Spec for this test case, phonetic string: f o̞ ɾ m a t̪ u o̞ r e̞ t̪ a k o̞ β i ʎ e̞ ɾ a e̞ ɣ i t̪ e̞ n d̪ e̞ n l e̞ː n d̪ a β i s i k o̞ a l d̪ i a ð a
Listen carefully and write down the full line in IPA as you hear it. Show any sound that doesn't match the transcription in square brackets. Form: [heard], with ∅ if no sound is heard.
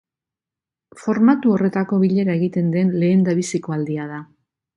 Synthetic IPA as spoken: f o̞ ɾ m a t̪ u o̞ r e̞ t̪ a k o̞ β i ʎ e̞ ɾ a e̞ ɣ i t̪ e̞ n d̪ e̞ n l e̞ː n d̪ a β i s i k o̞ a l d̪ i a ð a